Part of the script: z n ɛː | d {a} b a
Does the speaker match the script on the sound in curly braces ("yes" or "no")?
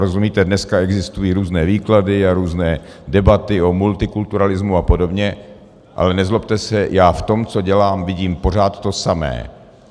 no